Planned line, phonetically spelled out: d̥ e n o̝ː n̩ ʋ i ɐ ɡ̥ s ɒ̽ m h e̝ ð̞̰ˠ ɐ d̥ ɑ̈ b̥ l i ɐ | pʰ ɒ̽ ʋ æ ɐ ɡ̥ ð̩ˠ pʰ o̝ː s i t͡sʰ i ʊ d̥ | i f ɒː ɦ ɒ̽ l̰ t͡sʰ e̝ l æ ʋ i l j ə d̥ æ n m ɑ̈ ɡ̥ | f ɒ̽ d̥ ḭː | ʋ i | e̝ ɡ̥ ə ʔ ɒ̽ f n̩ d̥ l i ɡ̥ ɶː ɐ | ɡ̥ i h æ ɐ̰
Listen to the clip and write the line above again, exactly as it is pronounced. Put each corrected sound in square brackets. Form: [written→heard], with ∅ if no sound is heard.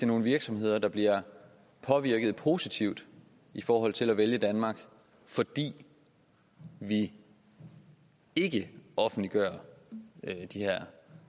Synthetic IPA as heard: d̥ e n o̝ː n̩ ʋ i ɐ ɡ̥ s ɒ̽ m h e̝ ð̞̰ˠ ɐ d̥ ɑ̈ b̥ l i ɐ | pʰ ɒ̽ ʋ [æ→i] ɐ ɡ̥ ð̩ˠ pʰ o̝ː s i t͡sʰ i ʊ d̥ | i f ɒː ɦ ɒ̽ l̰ t͡sʰ e̝ l æ ʋ [i→e] l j ə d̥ æ n m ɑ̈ ɡ̥ | f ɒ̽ d̥ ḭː | ʋ i | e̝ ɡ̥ ə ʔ ɒ̽ f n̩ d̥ l i ɡ̥ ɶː ɐ | [ɡ̥→d̥] i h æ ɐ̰